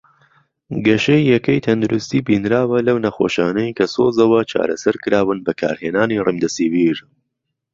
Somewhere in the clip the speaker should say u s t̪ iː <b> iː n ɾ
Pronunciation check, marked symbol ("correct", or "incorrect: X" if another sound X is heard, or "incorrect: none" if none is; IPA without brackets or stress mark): correct